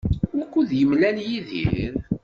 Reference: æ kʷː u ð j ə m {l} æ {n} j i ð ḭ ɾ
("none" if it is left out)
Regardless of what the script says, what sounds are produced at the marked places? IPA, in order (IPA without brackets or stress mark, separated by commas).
l, n